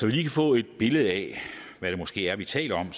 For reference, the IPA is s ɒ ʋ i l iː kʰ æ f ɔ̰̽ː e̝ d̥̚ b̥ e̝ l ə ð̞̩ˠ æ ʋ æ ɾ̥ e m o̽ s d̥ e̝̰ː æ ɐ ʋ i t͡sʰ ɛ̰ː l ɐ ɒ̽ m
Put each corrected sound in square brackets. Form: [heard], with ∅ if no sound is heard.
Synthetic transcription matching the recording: s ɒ ʋ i l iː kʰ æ f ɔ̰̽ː e̝ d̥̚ b̥ e̝ l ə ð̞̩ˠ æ ʋ æ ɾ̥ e m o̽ s [ɡ̥] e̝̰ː æ ɐ ʋ i t͡sʰ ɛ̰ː l ɐ ɒ̽ m